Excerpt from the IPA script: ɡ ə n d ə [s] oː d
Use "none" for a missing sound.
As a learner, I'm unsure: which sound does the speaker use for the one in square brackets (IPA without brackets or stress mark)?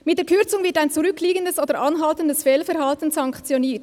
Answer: s